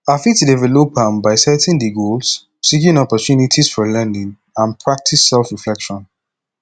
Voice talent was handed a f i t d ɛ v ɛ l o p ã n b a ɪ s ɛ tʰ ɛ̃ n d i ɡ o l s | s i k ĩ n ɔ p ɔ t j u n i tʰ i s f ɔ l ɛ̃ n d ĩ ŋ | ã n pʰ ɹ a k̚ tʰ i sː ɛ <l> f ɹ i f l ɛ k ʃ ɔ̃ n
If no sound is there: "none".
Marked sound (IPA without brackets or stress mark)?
l